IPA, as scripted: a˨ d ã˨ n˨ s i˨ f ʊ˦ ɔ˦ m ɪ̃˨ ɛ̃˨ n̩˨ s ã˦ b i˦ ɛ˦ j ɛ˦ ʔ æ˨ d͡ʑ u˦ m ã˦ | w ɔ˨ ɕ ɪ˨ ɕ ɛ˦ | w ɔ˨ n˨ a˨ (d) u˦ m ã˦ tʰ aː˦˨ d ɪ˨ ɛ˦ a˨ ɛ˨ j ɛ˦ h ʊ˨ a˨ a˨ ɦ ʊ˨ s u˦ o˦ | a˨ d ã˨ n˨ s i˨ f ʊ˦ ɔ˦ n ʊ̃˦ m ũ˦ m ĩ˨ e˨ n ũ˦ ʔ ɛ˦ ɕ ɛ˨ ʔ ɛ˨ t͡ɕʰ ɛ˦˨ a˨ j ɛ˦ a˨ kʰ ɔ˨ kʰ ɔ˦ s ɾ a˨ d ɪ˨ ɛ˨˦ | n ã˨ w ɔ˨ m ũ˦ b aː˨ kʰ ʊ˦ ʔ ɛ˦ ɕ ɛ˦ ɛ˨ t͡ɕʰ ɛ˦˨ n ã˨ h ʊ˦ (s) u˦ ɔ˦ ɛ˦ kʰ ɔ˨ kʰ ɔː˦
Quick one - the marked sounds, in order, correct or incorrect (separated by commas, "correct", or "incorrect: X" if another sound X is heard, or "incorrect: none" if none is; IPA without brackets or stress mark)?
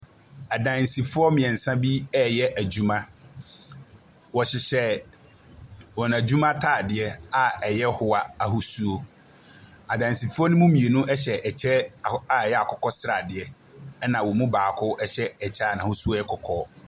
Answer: incorrect: d͡ʑ, correct